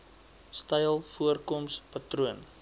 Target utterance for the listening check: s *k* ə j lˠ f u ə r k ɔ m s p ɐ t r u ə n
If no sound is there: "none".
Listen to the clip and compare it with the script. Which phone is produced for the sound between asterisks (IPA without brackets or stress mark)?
t